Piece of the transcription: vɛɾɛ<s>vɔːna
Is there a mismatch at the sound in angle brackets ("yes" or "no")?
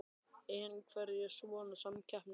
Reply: no